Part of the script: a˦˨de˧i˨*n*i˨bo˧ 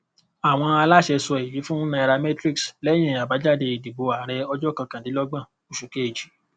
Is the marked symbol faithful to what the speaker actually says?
no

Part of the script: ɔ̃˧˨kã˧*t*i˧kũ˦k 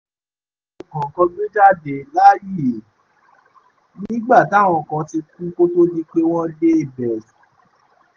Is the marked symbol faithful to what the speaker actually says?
yes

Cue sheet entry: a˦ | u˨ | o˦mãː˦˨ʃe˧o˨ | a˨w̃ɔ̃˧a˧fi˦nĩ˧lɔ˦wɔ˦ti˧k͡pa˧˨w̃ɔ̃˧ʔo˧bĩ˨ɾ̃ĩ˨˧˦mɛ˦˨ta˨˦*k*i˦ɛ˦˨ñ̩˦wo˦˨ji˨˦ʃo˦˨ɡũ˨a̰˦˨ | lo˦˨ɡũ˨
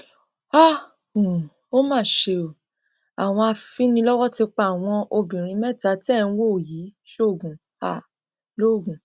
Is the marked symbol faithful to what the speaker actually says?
no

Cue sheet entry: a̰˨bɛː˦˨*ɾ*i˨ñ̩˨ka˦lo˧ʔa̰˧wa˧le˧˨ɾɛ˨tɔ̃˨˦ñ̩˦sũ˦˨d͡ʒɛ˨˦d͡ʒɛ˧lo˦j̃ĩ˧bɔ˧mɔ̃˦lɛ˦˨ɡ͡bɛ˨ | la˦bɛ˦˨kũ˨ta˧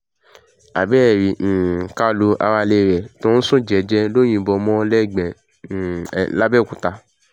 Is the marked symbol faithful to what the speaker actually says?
yes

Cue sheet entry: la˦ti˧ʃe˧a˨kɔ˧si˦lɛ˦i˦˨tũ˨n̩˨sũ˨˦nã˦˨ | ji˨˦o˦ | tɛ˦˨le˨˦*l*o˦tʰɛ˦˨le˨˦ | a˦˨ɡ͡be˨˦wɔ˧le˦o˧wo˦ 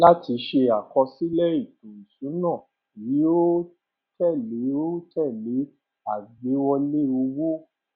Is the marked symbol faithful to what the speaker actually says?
no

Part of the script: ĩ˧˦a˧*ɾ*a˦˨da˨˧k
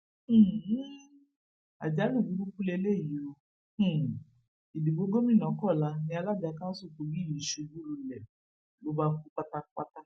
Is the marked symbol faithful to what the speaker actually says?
no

